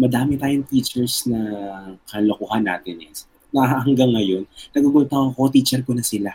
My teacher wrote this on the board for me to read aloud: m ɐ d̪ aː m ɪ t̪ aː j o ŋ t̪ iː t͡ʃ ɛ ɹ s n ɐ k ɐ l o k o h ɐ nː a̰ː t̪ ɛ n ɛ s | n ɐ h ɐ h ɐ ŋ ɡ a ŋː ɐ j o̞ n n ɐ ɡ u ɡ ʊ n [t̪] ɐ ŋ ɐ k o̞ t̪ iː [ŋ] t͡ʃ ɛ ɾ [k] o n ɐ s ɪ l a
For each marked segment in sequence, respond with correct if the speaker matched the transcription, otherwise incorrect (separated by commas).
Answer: correct, incorrect, correct